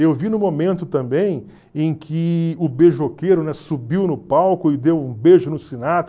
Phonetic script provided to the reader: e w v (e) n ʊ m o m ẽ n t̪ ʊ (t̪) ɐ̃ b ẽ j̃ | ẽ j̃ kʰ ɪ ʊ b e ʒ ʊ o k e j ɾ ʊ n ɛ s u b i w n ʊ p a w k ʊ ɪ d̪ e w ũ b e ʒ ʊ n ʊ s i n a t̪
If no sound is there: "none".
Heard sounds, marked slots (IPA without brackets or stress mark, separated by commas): i, t̪